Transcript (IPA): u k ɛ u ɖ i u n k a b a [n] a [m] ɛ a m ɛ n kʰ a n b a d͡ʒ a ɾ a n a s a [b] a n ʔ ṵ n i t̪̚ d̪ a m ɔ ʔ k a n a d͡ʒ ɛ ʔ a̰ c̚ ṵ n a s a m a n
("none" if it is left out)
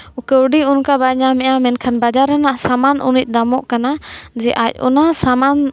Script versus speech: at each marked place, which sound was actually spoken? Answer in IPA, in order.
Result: ɲ, m, m

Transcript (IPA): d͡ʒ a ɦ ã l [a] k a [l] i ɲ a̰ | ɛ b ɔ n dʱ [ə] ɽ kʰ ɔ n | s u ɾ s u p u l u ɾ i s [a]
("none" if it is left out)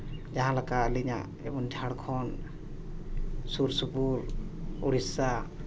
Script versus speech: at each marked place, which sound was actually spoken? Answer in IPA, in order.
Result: a, l, a, a

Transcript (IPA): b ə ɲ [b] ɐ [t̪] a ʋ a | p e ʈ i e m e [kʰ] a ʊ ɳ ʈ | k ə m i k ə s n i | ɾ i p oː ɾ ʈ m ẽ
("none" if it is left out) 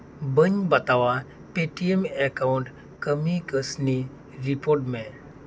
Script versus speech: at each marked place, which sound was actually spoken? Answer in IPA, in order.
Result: b, t̪, k

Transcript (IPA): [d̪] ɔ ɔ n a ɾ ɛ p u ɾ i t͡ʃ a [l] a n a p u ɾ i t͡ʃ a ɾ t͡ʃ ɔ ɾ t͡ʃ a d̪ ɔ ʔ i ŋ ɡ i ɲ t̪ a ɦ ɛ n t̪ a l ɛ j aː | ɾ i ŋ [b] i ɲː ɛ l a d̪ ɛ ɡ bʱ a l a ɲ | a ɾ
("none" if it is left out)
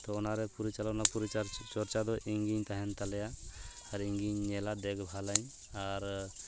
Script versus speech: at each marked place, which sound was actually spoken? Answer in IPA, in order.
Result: t̪, l, ɡ

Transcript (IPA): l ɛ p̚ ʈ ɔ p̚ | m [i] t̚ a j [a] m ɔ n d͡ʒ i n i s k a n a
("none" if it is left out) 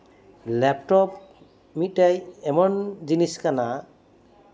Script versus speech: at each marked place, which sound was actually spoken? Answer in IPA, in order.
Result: i, ɛ

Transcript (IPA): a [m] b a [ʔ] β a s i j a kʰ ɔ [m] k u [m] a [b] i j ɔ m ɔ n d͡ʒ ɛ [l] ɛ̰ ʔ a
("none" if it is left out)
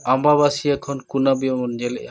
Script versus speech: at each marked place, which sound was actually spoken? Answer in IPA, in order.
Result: m, none, n, n, b, l

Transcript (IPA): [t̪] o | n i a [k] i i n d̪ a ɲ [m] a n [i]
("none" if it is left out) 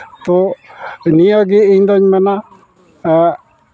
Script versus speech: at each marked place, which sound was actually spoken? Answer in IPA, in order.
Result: t̪, ɡ, m, a

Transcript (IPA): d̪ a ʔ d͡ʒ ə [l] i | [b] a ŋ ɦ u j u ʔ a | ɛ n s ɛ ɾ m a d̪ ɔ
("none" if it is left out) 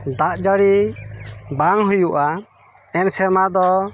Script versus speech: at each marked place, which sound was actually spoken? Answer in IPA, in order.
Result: ɽ, b

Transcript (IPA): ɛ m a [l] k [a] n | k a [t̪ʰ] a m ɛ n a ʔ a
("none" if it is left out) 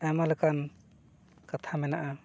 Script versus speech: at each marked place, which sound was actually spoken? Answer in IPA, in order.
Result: l, a, t̪ʰ

